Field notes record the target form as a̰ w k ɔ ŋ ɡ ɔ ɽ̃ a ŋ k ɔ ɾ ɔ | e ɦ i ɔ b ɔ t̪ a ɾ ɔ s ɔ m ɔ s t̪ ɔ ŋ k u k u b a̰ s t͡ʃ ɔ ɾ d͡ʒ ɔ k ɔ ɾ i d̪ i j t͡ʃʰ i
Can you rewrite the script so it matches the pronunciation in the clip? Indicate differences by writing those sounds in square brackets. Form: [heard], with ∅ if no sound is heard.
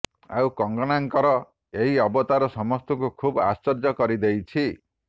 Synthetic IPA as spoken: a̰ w k ɔ ŋ ɡ ɔ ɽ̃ a ŋ k ɔ ɾ ɔ | e ɦ i ɔ b ɔ t̪ a ɾ ɔ s ɔ m ɔ s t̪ ɔ ŋ k u [kʰ] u b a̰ s t͡ʃ ɔ ɾ d͡ʒ ɔ k ɔ ɾ i d̪ [e] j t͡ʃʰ i